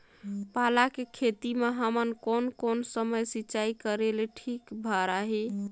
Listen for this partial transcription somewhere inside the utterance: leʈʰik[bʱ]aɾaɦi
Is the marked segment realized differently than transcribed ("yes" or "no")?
no